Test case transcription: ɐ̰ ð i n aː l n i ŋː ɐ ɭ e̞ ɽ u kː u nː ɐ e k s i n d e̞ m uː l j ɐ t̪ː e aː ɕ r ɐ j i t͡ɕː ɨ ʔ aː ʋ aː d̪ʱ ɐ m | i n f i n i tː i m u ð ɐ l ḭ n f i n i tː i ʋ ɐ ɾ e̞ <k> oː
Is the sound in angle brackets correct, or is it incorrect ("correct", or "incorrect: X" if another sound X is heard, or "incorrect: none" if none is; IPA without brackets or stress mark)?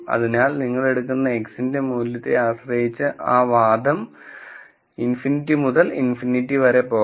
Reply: incorrect: p